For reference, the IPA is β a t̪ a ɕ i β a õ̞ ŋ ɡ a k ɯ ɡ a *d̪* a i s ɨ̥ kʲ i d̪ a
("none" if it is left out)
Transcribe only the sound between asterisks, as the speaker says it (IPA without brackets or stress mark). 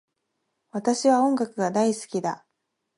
d̪